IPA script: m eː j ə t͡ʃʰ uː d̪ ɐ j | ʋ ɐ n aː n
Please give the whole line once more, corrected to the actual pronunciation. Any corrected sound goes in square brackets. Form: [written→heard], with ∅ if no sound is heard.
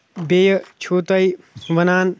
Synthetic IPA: [m→b] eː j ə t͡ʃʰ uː [d̪→t̪] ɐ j | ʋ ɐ n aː n